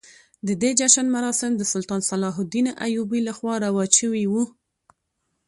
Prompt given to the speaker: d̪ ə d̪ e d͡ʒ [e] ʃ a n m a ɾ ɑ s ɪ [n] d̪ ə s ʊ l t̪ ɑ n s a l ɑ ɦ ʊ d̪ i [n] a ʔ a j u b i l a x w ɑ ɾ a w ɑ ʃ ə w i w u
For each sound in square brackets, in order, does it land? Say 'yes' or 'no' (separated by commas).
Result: no, no, yes